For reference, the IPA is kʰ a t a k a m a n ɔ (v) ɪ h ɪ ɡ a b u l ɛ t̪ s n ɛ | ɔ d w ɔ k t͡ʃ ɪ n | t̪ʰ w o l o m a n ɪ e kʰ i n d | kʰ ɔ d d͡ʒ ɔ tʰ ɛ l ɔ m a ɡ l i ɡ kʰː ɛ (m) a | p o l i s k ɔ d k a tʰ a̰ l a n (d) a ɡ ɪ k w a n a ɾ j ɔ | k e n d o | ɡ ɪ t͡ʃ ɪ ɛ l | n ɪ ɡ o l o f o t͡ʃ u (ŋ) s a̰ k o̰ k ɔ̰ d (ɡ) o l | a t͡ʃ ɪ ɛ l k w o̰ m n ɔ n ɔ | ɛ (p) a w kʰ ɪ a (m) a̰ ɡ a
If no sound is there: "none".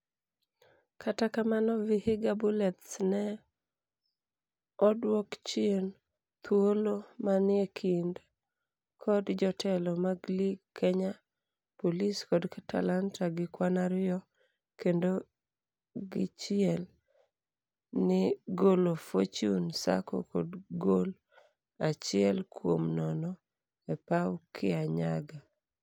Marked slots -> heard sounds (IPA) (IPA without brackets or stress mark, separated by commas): v, ɲ, t, n, ɡ, p, ɲ